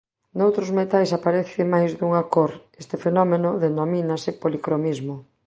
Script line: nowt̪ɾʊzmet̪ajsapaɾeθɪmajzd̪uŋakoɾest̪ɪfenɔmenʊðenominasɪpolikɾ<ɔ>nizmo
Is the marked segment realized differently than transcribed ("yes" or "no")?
yes